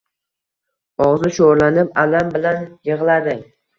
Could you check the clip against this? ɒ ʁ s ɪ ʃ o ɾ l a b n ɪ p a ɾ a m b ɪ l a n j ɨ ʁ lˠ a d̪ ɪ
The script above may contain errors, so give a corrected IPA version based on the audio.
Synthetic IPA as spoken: ɒ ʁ z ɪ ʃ o ɾ l a n ɪ p a l a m b ɪ l a n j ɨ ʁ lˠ a d̪ ɪ